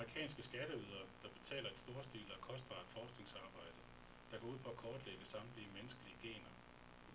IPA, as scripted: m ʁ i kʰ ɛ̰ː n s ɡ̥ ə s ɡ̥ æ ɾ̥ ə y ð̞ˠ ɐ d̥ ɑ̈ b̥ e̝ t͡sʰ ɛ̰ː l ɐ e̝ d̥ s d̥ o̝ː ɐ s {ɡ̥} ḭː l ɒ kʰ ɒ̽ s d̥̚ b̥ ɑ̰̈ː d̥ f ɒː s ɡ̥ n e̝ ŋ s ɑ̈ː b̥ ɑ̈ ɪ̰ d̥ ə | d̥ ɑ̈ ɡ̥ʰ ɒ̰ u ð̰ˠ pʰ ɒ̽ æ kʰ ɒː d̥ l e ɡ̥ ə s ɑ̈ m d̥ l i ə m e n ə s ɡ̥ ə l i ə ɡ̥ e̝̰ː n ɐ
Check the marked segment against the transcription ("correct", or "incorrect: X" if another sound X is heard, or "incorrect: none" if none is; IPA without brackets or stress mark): incorrect: d̥